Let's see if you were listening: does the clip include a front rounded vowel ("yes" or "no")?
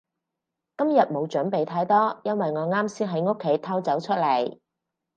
no